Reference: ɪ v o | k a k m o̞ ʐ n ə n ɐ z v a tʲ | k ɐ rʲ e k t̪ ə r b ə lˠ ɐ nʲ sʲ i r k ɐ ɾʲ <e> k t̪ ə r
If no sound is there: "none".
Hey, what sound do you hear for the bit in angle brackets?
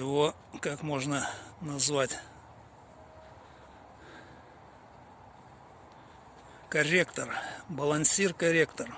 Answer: e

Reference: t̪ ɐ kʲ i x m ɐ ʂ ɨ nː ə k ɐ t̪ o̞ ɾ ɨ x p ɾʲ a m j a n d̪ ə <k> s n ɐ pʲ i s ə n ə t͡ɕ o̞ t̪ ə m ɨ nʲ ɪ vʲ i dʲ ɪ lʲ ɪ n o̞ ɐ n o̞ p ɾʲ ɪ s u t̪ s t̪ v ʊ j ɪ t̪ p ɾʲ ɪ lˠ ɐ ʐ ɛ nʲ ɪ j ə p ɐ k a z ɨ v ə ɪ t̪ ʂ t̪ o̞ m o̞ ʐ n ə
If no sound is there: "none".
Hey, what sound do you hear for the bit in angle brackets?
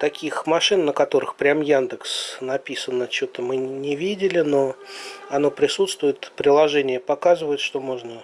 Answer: k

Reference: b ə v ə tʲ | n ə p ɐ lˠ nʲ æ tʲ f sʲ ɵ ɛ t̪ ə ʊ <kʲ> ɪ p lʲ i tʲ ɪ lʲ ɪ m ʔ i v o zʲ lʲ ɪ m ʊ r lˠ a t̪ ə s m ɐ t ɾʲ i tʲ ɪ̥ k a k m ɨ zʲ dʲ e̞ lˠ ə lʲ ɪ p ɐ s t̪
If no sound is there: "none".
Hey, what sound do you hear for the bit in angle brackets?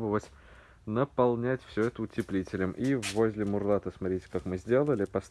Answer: tʲ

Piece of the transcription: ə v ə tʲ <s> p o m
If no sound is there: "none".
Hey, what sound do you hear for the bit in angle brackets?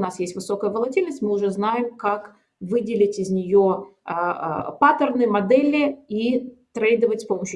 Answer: s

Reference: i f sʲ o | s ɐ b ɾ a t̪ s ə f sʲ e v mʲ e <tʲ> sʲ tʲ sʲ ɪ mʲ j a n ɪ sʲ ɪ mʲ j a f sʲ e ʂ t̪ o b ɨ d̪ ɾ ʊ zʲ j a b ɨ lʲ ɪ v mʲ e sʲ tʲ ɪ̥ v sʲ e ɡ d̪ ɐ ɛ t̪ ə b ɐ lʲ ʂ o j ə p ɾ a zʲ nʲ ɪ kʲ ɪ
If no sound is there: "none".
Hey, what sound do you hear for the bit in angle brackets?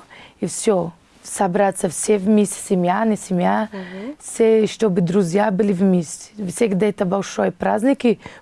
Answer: none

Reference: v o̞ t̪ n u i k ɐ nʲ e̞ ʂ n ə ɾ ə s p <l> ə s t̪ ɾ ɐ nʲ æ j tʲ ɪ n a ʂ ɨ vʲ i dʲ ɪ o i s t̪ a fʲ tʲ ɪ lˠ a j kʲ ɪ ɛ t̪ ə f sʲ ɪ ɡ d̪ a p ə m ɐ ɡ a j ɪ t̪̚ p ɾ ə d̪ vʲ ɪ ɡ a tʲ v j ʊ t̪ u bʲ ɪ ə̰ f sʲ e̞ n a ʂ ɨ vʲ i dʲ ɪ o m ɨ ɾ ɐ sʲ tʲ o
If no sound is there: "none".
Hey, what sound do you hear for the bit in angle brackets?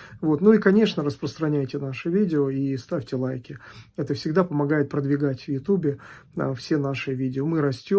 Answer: ɾ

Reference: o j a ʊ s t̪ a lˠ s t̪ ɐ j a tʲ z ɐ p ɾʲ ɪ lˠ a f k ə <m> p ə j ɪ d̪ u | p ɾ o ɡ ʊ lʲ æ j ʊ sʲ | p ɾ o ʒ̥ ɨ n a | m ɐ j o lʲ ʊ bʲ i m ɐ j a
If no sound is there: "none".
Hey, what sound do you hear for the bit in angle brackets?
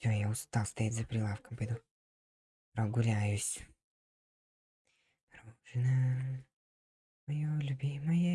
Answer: m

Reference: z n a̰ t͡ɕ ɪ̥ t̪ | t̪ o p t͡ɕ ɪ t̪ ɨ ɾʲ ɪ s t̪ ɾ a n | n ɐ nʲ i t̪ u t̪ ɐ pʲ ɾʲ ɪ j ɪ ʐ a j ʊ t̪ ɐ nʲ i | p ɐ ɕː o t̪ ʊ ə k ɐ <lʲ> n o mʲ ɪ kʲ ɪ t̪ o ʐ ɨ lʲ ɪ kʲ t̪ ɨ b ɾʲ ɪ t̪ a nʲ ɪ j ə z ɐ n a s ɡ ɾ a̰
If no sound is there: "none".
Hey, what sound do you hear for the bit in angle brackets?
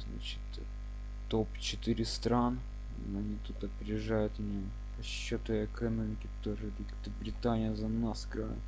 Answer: none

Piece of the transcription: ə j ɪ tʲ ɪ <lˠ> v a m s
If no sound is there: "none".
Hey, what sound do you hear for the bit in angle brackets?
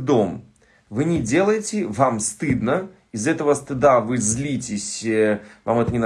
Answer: none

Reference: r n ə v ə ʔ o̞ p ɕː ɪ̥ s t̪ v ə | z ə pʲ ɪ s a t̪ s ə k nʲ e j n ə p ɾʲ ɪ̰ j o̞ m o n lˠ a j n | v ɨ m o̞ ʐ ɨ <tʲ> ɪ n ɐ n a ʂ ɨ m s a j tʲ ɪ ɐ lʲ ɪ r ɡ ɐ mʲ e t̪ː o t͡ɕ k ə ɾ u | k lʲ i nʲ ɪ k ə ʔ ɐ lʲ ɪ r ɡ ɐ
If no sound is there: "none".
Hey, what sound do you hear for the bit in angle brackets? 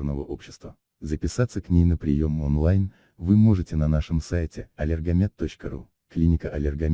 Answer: tʲ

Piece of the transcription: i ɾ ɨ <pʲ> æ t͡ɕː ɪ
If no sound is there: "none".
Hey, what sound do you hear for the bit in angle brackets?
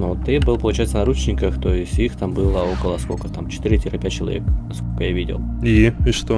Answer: pʲ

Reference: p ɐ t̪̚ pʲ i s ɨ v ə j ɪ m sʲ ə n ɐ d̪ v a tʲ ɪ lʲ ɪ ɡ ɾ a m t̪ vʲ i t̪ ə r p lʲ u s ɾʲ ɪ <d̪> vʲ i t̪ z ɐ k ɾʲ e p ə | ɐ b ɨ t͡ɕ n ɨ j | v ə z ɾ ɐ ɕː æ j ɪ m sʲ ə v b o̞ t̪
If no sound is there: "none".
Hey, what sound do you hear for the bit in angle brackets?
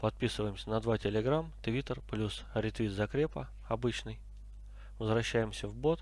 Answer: t̪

